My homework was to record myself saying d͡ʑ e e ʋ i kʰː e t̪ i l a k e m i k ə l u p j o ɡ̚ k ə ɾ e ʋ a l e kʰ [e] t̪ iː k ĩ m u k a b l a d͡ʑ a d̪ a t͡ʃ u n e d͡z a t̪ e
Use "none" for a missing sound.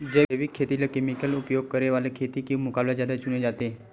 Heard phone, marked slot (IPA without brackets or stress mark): e